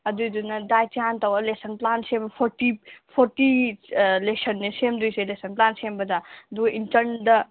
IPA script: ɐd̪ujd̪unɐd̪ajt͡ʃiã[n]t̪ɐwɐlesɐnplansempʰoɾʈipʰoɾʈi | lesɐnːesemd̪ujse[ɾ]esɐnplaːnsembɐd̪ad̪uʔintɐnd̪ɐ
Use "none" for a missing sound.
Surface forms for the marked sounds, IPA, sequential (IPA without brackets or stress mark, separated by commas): n, l